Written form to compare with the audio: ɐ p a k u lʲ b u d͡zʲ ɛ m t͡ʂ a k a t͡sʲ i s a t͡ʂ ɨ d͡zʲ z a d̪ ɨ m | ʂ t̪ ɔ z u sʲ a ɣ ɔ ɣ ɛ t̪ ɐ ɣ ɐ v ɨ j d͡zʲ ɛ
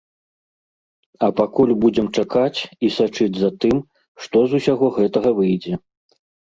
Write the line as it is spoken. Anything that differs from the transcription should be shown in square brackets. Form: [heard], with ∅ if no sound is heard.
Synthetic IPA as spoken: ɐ p a k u lʲ b u d͡zʲ ɛ m t͡ʂ a k a t͡sʲ i s a t͡ʂ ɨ d͡zʲ z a [t̪] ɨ m | ʂ t̪ ɔ z u sʲ a ɣ ɔ ɣ ɛ t̪ ɐ ɣ ɐ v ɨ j d͡zʲ ɛ